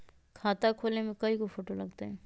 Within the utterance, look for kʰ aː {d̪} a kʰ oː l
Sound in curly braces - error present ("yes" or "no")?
yes